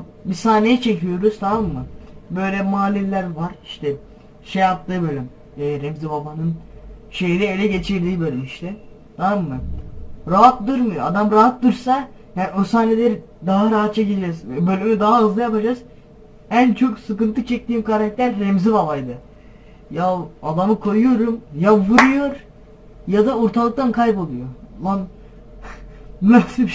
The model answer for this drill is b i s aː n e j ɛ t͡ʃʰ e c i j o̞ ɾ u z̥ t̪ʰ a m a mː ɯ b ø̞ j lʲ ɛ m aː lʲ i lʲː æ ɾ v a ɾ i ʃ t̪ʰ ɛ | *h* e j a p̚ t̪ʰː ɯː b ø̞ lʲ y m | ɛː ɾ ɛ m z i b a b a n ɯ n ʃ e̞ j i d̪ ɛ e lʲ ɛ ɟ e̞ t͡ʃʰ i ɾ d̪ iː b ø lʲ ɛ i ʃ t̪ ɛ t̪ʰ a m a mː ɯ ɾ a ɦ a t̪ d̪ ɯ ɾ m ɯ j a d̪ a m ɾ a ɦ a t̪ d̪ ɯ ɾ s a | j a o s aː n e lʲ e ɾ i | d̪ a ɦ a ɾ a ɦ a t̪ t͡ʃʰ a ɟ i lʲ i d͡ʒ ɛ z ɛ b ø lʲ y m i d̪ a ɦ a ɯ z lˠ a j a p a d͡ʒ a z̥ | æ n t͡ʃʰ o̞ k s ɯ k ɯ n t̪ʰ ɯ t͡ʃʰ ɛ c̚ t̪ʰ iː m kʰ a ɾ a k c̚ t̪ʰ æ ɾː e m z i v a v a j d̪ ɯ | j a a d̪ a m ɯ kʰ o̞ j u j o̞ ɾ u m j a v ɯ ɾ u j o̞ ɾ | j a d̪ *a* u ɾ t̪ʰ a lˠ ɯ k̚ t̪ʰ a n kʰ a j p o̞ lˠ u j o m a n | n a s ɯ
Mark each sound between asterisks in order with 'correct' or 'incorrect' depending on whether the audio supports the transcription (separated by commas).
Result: incorrect, correct